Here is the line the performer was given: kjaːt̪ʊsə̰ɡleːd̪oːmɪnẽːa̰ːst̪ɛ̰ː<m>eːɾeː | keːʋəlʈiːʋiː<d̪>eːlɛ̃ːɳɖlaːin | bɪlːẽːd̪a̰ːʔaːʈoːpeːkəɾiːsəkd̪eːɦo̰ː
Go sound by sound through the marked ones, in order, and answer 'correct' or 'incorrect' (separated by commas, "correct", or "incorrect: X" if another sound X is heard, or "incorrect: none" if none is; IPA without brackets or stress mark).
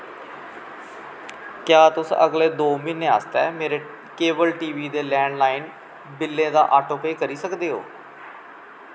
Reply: correct, correct